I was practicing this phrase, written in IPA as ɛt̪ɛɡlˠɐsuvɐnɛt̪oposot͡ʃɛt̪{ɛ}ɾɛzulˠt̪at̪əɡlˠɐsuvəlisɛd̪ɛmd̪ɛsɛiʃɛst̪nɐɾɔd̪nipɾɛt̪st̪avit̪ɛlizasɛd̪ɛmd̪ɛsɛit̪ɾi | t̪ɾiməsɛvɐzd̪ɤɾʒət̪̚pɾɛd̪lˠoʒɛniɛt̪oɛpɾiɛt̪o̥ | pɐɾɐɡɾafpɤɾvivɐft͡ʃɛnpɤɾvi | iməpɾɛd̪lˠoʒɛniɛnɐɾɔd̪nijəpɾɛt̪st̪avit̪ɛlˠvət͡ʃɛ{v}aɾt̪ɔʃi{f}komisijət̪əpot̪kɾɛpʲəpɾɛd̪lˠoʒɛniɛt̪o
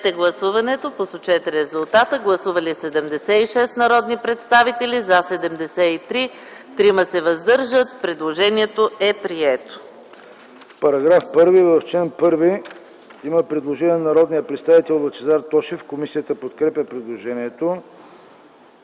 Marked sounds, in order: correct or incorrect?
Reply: correct, incorrect, correct

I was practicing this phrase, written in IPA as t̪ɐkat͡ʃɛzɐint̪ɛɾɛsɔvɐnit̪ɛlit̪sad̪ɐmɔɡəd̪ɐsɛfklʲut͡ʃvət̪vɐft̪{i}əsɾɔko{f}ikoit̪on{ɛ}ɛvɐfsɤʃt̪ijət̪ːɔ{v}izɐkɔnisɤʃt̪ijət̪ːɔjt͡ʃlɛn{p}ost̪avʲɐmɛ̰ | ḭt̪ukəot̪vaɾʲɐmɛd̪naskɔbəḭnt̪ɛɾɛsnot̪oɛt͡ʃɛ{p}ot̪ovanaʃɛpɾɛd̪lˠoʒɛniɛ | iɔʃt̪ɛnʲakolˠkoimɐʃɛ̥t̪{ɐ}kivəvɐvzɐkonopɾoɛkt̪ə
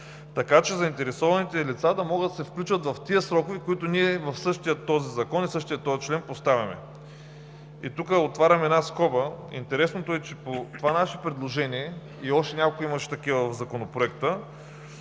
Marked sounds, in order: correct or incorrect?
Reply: correct, incorrect, incorrect, incorrect, correct, correct, correct

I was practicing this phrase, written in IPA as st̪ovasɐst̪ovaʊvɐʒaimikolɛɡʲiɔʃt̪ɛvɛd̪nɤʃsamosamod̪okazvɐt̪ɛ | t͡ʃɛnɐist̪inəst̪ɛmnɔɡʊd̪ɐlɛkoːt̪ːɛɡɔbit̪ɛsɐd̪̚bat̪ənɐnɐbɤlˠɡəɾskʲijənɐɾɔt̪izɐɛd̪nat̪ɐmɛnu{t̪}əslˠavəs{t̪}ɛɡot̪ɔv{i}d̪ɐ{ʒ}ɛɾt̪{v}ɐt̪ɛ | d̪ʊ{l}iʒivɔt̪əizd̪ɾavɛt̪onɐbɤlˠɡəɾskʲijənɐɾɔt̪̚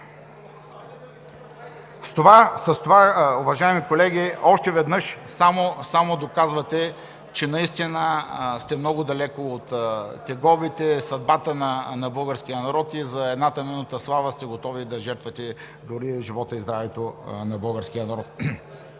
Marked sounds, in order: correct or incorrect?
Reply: correct, correct, correct, correct, correct, incorrect

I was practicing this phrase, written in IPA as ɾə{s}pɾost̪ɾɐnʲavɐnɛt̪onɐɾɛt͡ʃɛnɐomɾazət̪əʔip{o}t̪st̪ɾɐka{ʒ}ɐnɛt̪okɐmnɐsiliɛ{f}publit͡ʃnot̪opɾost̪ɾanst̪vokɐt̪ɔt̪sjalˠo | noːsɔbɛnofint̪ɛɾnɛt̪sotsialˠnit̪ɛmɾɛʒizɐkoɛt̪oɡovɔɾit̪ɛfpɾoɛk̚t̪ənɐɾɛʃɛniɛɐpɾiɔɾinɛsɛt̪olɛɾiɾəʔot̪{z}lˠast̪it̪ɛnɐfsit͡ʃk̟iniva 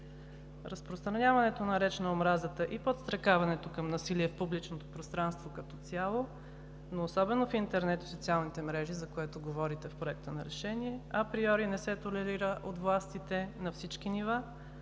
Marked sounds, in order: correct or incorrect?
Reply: correct, correct, incorrect, correct, incorrect

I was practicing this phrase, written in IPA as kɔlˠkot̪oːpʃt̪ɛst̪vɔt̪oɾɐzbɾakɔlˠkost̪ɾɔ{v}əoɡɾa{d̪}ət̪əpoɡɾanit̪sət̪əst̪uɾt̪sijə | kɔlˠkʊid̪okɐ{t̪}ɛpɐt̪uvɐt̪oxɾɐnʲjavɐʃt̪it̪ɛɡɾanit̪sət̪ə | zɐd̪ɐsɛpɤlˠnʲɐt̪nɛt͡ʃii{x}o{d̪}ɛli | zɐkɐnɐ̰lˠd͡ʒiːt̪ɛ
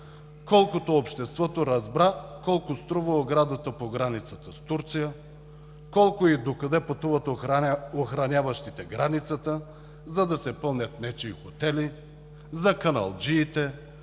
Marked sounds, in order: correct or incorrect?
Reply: correct, correct, incorrect, correct, incorrect

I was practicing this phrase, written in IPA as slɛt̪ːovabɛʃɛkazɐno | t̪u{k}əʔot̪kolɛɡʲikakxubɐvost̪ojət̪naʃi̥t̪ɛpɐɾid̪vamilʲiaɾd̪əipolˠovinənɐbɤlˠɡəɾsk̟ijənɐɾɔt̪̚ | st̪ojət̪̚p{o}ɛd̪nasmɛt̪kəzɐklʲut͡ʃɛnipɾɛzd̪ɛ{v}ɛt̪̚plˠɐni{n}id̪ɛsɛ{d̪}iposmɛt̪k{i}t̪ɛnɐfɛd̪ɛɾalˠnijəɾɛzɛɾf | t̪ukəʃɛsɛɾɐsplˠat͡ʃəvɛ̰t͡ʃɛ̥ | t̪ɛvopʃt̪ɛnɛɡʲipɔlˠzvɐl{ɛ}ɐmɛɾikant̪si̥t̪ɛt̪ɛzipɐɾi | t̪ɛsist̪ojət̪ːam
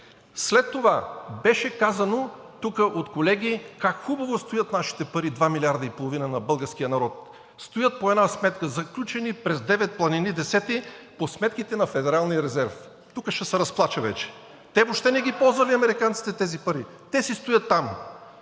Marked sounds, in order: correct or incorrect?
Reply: correct, correct, correct, correct, incorrect, correct, incorrect

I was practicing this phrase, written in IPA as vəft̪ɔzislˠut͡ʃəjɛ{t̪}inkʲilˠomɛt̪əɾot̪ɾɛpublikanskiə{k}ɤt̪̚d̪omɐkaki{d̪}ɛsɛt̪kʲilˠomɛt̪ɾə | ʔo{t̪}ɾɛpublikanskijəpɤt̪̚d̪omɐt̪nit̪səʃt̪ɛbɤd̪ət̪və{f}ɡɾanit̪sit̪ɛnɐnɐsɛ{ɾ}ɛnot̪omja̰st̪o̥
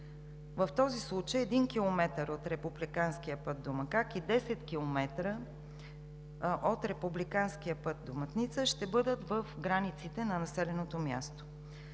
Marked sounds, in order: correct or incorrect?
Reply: incorrect, incorrect, correct, correct, correct, incorrect

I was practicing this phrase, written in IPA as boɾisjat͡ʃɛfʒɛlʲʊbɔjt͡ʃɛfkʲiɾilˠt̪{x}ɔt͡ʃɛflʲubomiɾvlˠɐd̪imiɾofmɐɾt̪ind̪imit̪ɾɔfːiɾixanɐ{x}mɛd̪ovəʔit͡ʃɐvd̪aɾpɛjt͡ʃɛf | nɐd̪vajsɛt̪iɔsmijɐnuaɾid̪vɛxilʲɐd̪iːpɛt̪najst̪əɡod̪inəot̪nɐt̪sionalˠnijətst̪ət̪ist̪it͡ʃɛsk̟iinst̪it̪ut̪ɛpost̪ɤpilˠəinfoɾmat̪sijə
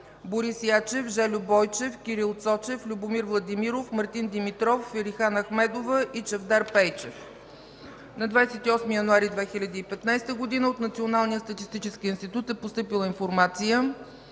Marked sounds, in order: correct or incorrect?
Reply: incorrect, correct

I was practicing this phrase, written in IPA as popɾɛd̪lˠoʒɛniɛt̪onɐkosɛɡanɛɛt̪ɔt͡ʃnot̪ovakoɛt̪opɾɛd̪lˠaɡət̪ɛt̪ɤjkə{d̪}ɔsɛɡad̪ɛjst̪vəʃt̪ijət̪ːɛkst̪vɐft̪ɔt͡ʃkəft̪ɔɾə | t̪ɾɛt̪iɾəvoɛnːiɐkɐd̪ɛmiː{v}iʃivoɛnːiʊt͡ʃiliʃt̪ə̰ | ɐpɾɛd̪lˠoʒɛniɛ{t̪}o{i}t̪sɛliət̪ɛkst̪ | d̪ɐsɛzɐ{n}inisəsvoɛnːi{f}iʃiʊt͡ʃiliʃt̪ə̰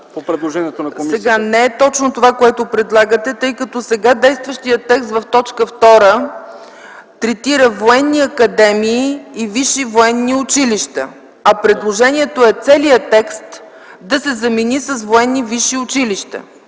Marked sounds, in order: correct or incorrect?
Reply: incorrect, correct, correct, incorrect, incorrect, incorrect

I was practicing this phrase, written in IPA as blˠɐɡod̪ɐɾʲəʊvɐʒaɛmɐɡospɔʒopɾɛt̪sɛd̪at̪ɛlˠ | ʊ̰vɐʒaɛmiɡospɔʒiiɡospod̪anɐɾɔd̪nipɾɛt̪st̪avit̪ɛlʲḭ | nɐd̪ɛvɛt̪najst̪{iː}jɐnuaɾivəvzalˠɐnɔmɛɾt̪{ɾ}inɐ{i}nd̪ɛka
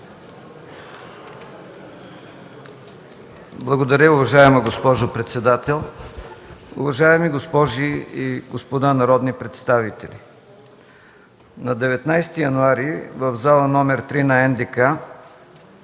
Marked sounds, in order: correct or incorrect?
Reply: incorrect, correct, incorrect

